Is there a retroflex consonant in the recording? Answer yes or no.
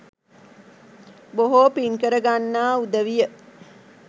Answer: no